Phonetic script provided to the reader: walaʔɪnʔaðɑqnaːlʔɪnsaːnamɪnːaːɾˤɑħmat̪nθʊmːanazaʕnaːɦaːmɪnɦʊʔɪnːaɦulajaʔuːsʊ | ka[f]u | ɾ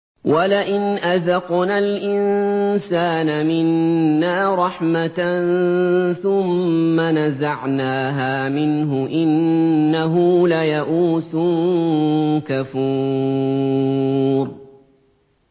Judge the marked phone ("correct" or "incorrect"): correct